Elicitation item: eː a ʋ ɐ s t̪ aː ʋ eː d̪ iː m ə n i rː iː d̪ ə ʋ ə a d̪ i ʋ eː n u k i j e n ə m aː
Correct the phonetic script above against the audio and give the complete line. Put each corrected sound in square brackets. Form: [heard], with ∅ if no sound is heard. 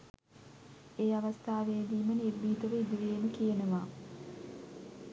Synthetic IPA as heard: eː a ʋ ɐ s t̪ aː ʋ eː d̪ iː m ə n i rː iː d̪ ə ʋ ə [i] d̪ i ʋ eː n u k i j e n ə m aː